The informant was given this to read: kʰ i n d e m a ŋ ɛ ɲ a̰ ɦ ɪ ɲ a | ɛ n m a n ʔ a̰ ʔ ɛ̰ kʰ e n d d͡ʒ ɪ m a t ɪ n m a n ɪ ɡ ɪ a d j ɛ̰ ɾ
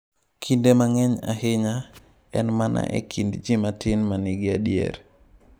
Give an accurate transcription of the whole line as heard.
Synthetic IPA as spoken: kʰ i n d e m a ŋ ɛ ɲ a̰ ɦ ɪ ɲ a | ɛ n m a n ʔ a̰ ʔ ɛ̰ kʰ i n d d͡ʒ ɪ m a t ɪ n m a n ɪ ɡ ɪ a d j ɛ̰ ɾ